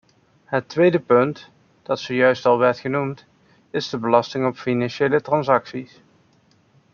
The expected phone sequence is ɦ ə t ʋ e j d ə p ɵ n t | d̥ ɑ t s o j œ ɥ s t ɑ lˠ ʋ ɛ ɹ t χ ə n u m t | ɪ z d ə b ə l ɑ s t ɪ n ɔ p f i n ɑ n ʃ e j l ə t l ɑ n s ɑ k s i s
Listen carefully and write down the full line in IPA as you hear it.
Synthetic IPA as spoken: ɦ ə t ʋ e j d ə p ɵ n t | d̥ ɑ t s o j œ ɥ s t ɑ lˠ ʋ ɛ ɹ t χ ə n u m t | ɪ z d ə b ə l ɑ s t ɪ ŋ ɔ p f i n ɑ n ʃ e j l ə t r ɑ n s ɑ k s i s